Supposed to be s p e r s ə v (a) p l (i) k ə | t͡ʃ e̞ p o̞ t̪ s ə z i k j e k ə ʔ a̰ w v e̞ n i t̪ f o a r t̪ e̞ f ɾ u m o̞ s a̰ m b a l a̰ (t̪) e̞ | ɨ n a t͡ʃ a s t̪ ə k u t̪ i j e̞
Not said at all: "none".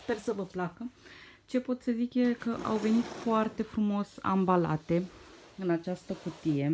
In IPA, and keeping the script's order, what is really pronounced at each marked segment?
ə, a, t̪

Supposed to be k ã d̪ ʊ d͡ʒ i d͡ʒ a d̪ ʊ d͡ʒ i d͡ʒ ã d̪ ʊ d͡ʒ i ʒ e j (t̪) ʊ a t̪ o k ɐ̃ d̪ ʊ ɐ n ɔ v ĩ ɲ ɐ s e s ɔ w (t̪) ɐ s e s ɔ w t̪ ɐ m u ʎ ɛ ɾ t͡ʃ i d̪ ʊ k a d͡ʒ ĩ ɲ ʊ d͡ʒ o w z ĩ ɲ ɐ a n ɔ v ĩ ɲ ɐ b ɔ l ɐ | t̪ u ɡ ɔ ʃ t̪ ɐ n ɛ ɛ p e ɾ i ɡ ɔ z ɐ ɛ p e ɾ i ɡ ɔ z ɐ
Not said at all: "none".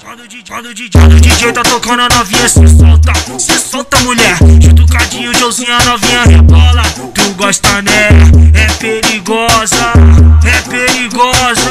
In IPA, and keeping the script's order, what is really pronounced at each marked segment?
t̪, t̪

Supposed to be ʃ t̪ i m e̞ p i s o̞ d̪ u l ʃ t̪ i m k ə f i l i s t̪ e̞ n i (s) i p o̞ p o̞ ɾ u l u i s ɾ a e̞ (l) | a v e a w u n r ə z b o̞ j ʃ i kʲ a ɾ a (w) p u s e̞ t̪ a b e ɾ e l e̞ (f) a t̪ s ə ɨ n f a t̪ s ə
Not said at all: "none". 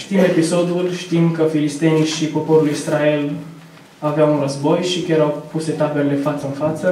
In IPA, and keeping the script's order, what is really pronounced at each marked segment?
ʃ, l, w, f

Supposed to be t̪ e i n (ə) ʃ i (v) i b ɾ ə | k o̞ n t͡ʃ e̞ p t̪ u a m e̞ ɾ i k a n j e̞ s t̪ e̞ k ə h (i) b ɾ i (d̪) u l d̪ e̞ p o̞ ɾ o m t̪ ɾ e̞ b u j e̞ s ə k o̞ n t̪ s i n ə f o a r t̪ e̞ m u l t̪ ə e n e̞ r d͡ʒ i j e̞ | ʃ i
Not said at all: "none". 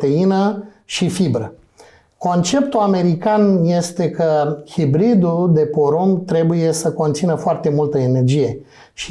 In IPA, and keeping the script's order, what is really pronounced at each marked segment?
ə, f, i, d̪

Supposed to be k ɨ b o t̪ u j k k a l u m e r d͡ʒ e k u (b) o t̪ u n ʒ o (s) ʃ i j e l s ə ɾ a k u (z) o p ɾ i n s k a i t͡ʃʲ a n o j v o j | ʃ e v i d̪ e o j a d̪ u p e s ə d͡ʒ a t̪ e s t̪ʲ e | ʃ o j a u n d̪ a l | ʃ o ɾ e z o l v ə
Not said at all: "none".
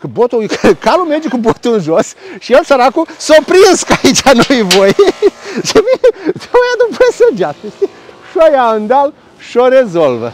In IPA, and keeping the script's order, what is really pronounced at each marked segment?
b, s, s

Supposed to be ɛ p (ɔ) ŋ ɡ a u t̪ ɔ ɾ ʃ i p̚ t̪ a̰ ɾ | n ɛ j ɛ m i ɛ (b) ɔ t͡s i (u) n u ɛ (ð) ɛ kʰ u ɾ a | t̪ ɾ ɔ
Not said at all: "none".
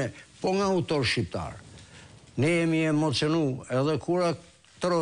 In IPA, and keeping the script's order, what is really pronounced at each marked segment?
ɔ, m, ɔ, ð

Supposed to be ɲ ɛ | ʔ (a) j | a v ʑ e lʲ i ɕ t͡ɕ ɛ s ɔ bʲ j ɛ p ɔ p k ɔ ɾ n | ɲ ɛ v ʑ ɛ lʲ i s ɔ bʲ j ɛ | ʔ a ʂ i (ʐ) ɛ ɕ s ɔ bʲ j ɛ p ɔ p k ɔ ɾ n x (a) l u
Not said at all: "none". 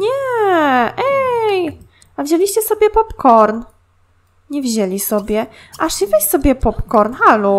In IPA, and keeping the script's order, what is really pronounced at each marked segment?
ɛ, v, a

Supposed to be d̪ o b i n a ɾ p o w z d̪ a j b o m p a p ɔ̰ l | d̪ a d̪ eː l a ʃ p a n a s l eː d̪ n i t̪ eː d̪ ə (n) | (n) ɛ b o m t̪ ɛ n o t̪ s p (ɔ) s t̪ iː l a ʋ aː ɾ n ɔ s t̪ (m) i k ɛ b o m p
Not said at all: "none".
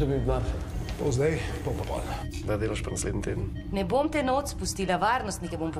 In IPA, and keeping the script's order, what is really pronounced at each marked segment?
n, n, u, n

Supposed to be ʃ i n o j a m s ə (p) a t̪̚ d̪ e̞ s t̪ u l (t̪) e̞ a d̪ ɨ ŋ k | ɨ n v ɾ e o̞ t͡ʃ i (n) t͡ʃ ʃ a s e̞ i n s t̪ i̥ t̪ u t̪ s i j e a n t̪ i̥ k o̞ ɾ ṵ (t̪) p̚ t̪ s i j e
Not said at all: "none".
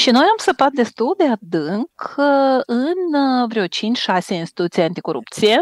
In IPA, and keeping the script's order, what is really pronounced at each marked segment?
p, d̪, n, none

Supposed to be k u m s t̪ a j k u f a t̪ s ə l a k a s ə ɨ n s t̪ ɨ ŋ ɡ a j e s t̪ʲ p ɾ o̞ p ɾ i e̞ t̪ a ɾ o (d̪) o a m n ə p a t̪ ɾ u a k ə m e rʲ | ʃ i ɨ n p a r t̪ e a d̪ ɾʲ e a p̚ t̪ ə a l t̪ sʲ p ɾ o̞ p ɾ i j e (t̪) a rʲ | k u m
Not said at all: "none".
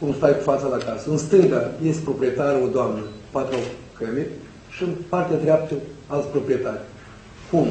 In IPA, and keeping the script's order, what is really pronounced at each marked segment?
d̪, t̪

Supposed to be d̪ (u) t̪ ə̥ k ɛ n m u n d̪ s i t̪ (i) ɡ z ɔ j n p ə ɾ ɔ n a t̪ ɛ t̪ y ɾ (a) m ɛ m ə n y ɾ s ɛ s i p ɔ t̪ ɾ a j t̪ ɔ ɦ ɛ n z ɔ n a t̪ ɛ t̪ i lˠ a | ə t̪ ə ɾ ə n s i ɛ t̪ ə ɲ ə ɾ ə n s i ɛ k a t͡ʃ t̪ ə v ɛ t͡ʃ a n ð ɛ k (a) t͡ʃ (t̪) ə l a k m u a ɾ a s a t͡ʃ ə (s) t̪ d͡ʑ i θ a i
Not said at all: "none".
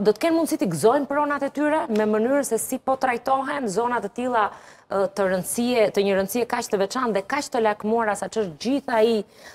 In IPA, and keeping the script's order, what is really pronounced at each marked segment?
ɔ, i, ɛ, a, t̪, ʃ

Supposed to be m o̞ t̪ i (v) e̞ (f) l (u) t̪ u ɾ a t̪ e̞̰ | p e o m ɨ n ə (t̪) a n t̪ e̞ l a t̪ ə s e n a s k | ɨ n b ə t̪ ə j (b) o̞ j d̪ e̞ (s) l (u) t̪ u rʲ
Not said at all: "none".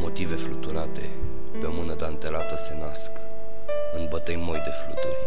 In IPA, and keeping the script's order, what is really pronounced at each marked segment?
v, f, u, d̪, m, f, u

